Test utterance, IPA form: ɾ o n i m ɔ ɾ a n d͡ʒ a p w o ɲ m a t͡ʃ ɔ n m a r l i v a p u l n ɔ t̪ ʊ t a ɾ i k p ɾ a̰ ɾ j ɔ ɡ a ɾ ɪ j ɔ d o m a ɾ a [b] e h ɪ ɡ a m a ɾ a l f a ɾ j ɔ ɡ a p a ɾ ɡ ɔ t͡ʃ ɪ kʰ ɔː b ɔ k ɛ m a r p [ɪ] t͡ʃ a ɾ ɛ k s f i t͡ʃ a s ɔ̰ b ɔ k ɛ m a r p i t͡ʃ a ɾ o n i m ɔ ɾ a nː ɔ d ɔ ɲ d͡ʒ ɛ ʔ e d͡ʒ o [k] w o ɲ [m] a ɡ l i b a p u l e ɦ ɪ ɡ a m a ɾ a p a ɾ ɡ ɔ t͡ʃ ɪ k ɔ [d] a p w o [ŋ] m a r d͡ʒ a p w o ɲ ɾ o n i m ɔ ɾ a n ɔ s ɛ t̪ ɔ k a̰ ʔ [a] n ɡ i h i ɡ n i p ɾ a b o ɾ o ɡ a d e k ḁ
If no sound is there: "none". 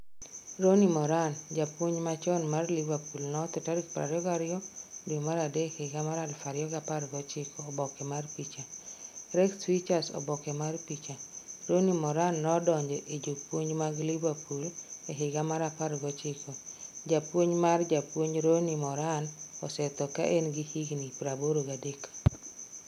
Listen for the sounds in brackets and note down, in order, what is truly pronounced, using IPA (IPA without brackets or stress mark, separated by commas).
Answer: d, i, p, m, d͡ʒ, ɲ, e